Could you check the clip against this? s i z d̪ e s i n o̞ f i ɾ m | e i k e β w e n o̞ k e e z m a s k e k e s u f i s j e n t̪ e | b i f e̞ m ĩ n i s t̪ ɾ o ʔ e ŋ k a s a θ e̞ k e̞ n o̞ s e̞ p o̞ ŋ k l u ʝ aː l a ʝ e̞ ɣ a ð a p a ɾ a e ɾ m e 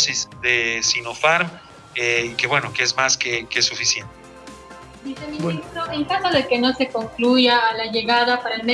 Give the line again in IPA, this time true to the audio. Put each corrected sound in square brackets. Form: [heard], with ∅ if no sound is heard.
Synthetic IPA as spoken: s i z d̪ e s i n o̞ f [a] ɾ m | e i k e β w e n o̞ k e e z m a s k e k e s u f i s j e n t̪ e | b i [s] e̞ m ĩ n i s t̪ ɾ o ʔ e ŋ k a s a [ð] e̞ k e̞ n o̞ s e̞ [k] o̞ ŋ k l u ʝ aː l a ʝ e̞ ɣ a ð a p a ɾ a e [l] m e

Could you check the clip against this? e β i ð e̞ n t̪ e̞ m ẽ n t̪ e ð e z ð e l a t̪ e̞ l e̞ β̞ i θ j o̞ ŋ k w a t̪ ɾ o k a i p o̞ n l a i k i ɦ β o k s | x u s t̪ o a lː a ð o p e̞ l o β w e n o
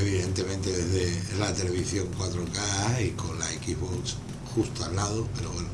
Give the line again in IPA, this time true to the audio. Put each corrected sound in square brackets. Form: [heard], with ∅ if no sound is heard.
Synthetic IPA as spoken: e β i ð e̞ n t̪ e̞ m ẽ n t̪ e ð e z ð e l a t̪ e̞ l e̞ β̞ i θ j o̞ ŋ k w a t̪ ɾ o k a i [k] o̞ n l a [e] k i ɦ β o k s | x u s t̪ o a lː a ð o p e̞ [ɾ] o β w e n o

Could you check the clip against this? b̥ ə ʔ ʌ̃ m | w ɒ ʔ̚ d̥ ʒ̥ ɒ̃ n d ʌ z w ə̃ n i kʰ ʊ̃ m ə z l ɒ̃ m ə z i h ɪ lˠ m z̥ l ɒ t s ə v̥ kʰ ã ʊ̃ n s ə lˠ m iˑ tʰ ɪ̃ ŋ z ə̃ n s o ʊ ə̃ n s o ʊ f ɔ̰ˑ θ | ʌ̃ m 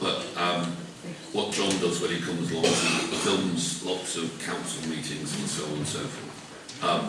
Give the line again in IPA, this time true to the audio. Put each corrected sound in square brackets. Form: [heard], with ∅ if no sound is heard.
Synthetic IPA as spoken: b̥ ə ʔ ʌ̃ m | w ɒ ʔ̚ d̥ ʒ̥ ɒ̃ n d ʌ z w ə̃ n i kʰ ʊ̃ m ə z l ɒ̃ [ŋ] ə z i [f] ɪ lˠ m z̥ l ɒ t s ə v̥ kʰ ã ʊ̃ n s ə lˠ m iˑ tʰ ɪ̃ ŋ z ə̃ n s o ʊ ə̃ n s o ʊ f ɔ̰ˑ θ | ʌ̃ m

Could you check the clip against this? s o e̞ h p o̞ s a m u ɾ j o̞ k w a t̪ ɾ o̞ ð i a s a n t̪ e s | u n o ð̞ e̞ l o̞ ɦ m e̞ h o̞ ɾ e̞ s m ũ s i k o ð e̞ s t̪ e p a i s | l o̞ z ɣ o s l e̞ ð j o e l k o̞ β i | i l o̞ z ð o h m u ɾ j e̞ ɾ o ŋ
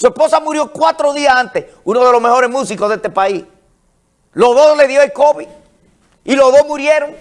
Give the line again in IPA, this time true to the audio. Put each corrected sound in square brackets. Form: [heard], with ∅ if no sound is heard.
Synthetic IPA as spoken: s [u] e̞ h p o̞ s a m u ɾ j o̞ k w a t̪ ɾ o̞ ð i a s a n t̪ e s | u n o ð̞ e̞ l o̞ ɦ m e̞ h o̞ ɾ e̞ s m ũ s i k o ð e̞ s t̪ e p a i s | l o̞ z [ð] o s l e̞ ð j o e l k o̞ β i | i l o̞ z ð o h m u ɾ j e̞ ɾ o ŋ

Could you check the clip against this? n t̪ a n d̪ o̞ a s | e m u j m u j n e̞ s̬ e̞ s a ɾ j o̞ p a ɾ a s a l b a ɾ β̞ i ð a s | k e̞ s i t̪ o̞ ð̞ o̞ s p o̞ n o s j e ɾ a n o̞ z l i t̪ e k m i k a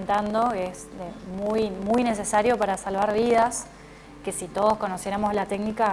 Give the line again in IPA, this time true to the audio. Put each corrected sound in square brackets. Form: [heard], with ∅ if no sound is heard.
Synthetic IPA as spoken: n t̪ a n d̪ o̞ [e] s | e m u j m u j n e̞ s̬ e̞ s a ɾ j o̞ p a ɾ a s a l [β] a ɾ β̞ i ð a s | k e̞ s i t̪ o̞ ð̞ o̞ s [k] o̞ n o s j e ɾ a [m] o̞ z l [a] t̪ e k [n] i k a

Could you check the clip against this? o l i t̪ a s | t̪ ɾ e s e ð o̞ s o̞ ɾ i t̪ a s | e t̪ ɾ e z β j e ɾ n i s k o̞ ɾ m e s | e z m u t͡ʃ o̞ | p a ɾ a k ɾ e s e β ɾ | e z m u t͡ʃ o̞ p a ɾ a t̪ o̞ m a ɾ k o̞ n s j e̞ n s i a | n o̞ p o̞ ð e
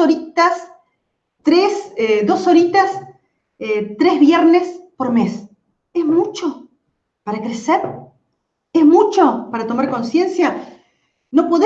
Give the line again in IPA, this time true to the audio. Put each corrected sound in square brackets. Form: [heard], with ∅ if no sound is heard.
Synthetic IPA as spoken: o [ɾ] i t̪ a s | t̪ ɾ e s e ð o̞ s o̞ ɾ i t̪ a s | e t̪ ɾ e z β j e ɾ n [e] s [p] o̞ ɾ m e s | e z m u t͡ʃ o̞ | p a ɾ a k ɾ e s e [∅] ɾ | e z m u t͡ʃ o̞ p a ɾ a t̪ o̞ m a ɾ k o̞ n s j e̞ n s [j] a | n o̞ p o̞ ð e

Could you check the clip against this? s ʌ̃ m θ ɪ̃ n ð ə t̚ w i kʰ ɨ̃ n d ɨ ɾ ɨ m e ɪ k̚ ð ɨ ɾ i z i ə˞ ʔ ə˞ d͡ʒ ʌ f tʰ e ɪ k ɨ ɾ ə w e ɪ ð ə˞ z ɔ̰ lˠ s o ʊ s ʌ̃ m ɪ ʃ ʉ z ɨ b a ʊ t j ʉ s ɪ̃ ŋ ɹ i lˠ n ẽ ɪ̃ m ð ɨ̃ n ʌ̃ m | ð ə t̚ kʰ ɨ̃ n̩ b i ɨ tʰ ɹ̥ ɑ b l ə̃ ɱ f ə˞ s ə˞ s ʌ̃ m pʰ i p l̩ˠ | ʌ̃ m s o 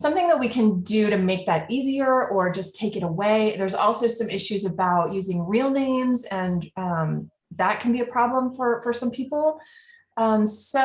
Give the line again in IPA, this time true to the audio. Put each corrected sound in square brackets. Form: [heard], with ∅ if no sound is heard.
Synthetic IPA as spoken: s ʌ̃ m θ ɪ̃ [ŋ] ð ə t̚ w i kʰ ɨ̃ n d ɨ ɾ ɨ m e ɪ k̚ ð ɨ ɾ i z i ə˞ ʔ ə˞ d͡ʒ ʌ [s] tʰ e ɪ k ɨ ɾ ə w e ɪ ð ə˞ z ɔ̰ lˠ s o ʊ s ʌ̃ m ɪ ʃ ʉ z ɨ b a ʊ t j ʉ [z] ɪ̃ ŋ ɹ i lˠ n ẽ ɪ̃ m [z] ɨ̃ n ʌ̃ m | ð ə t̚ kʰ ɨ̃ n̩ b i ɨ [pʰ] ɹ̥ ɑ b l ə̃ ɱ f ə˞ [f] ə˞ s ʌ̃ m pʰ i p l̩ˠ | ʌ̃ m s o

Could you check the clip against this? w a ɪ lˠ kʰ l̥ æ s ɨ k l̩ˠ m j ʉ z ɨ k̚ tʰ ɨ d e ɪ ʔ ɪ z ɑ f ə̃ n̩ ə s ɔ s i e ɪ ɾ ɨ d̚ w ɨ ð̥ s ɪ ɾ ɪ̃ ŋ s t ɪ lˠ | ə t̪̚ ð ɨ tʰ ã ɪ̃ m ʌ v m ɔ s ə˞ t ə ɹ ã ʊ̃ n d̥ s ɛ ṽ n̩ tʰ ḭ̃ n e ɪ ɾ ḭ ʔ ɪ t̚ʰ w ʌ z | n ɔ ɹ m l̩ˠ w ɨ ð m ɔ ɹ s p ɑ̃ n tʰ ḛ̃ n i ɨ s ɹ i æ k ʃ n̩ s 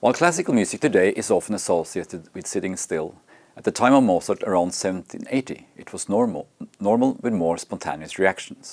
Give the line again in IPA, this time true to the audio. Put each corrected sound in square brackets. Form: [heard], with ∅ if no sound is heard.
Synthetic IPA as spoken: w a ɪ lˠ kʰ l̥ æ s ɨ k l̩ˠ m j ʉ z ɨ k̚ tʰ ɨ d e ɪ ʔ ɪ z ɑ f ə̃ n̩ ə s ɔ s i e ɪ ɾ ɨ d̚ w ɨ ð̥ s ɪ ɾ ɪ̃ ŋ s t ɪ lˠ | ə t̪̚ ð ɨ tʰ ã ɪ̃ m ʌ v m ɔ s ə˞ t ə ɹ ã ʊ̃ n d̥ s ɛ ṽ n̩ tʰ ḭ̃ n e ɪ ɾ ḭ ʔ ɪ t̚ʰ w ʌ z | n ɔ ɹ m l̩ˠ w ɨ ð m ɔ ɹ s p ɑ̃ n tʰ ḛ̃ n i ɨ s ɹ i æ k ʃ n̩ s

